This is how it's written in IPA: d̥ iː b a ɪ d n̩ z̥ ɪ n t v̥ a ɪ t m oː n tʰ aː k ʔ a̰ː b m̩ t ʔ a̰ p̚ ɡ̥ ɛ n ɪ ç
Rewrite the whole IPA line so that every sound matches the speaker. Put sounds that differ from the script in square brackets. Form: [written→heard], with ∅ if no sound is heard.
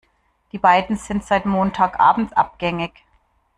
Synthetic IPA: d̥ iː b a ɪ d n̩ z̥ ɪ n t [v̥→z̥] a ɪ t m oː n tʰ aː k ʔ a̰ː b m̩ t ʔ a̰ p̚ ɡ̥ ɛ [n→ŋ] ɪ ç

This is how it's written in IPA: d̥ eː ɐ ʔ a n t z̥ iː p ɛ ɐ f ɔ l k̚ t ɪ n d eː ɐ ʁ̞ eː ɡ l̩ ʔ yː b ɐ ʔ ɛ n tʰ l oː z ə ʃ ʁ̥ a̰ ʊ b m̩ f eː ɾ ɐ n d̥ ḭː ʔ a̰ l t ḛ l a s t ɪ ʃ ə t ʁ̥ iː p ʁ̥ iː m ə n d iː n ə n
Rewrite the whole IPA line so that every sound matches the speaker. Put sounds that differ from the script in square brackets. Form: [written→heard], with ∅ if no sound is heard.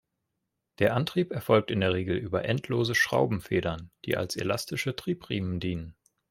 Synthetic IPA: d̥ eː ɐ ʔ a n t [z̥→ʁ̥] iː p ɛ ɐ f ɔ l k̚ t ɪ n d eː ɐ ʁ̞ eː ɡ l̩ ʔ yː b ɐ ʔ ɛ n tʰ l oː z ə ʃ ʁ̥ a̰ ʊ b m̩ f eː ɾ ɐ n d̥ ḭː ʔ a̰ l [t→s] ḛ l a s t ɪ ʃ ə t ʁ̥ iː p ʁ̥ iː m ə n d iː n ə n

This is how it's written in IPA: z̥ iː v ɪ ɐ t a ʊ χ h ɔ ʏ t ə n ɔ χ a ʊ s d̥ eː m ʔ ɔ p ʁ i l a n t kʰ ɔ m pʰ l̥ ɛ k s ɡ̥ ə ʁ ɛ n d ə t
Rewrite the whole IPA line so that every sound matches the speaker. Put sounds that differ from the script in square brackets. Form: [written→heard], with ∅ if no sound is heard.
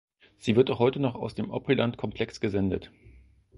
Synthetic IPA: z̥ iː v ɪ ɐ t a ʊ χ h ɔ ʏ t ə n ɔ χ a ʊ s d̥ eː m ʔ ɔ p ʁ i l a n t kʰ ɔ m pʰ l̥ ɛ k s ɡ̥ ə [ʁ→z] ɛ n d ə t

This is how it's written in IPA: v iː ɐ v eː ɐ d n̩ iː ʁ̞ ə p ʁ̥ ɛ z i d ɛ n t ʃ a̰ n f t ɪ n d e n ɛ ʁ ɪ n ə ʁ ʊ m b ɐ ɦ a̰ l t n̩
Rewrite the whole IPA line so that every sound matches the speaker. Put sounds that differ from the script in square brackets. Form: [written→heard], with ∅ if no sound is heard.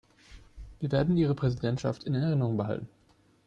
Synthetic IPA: v iː ɐ v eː ɐ d n̩ iː ʁ̞ ə p ʁ̥ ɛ z i d ɛ n t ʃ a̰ [n→∅] f t ɪ n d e n ɛ ʁ ɪ n ə ʁ ʊ [m→ŋ] b [ɐ→ə] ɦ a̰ l t n̩

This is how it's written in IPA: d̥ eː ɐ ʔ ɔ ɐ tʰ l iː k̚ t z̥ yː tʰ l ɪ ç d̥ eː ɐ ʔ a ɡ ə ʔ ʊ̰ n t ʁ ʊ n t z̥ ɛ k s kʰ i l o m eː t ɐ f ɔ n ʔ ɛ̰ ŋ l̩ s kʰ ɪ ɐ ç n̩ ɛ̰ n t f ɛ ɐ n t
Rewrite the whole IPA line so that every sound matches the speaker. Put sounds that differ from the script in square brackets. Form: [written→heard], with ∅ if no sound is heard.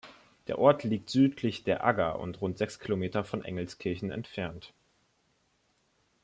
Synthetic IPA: d̥ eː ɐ ʔ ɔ ɐ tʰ l iː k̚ t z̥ yː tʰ l ɪ ç d̥ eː ɐ ʔ a ɡ [ə→ɐ] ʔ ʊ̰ n t ʁ ʊ n t z̥ ɛ k s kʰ i l o m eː t ɐ f ɔ n ʔ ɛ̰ ŋ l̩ s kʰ ɪ ɐ ç n̩ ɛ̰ n t f ɛ ɐ n t

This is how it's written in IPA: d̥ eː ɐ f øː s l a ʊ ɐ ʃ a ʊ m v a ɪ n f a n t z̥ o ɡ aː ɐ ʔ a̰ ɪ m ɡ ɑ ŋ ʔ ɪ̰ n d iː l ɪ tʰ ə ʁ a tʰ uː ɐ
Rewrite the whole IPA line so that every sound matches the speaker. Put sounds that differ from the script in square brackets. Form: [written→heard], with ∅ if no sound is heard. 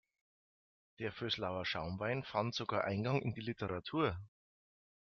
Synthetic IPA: d̥ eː ɐ f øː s l a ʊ ɐ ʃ a ʊ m v a ɪ n f a n t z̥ o ɡ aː ɐ ʔ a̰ ɪ [m→n] ɡ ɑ ŋ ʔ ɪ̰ n d iː l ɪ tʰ ə ʁ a tʰ uː ɐ

